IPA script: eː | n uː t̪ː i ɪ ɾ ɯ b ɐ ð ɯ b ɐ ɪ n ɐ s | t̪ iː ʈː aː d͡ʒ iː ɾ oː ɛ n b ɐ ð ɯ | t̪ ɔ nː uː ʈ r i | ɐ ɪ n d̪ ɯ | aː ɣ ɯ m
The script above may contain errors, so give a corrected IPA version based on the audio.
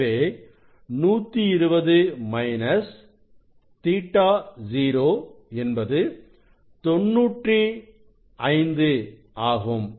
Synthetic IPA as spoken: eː | n uː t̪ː i ɪ ɾ ɯ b ɐ ð ɯ m ɐ ɪ n ɐ s | t̪ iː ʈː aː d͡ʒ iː ɾ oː ɛ n b ɐ ð ɯ | t̪ ɔ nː uː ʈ r i | ɐ ɪ n d̪ ɯ | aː ɣ ɯ m